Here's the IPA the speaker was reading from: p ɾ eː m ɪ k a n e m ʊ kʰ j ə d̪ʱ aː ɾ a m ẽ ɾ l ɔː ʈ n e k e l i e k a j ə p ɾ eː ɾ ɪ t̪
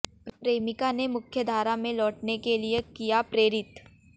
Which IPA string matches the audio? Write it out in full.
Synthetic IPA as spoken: p ɾ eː m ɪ k a n e m ʊ kʰ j ə d̪ʱ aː ɾ a m ẽ l ɔː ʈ n e k e l i e k i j a p ɾ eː ɾ ɪ t̪